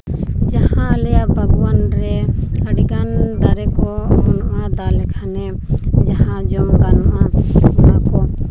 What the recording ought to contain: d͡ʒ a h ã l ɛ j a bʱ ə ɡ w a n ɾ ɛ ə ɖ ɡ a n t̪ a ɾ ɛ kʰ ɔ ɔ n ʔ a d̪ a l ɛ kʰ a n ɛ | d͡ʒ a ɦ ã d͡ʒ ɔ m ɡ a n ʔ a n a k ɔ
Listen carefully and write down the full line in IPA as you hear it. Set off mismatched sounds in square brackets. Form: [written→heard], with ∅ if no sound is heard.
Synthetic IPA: d͡ʒ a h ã l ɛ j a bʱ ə ɡ w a n ɾ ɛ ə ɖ ɡ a n [t̪→d̪] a ɾ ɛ [kʰ→k] ɔ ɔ n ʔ a d̪ a l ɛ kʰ a n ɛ | d͡ʒ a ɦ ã d͡ʒ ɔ m ɡ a n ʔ a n a k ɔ